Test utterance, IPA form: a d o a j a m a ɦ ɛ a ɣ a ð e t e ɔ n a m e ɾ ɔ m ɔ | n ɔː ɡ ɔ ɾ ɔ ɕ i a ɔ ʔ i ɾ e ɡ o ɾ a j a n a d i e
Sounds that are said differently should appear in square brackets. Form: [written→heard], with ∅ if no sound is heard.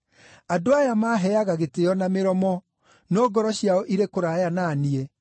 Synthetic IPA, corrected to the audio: a d o a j a m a ɦ ɛ a ɣ a [ð→ɣ] e t e ɔ n a m e ɾ ɔ m ɔ | n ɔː ɡ ɔ ɾ ɔ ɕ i a ɔ ʔ i ɾ e [ɡ→k] o ɾ a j a n a [d→n] i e